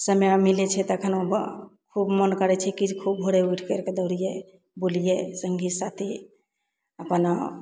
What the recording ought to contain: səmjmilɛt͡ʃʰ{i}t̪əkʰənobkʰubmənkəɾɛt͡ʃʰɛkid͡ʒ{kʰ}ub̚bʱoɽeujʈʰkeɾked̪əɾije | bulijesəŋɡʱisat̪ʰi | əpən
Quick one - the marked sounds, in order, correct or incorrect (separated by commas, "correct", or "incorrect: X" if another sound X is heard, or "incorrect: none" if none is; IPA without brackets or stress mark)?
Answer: incorrect: ɛ, correct